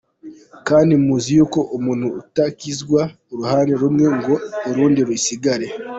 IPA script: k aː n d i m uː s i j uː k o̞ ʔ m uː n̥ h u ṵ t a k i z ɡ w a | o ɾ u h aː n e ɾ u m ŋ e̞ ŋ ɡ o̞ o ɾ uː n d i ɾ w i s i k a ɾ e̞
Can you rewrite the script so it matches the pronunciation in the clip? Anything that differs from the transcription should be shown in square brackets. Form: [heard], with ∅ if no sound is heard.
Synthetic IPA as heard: k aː n d i m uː [z] i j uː k o̞ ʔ m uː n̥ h u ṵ t a k i z ɡ w a | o ɾ u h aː n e ɾ u m ŋ e̞ ŋ ɡ o̞ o ɾ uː n d i ɾ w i s i [ɡ] a ɾ e̞